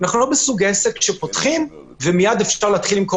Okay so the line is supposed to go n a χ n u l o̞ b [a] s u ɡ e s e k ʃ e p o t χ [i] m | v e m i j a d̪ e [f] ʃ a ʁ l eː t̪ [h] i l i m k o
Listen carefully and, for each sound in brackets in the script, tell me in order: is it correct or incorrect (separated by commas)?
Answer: incorrect, correct, correct, incorrect